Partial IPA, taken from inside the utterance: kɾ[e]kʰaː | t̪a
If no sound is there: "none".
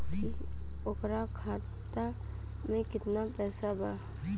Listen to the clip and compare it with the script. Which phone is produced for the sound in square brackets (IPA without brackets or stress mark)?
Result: a